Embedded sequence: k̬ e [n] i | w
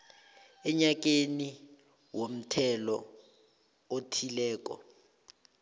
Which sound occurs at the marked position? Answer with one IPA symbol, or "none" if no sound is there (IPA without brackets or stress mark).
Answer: n